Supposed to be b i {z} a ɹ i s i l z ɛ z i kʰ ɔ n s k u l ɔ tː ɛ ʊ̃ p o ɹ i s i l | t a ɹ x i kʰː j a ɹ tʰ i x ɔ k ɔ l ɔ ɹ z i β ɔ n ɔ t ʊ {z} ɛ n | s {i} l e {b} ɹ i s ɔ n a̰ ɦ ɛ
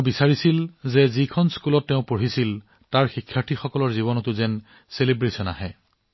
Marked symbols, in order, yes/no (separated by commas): no, yes, no, yes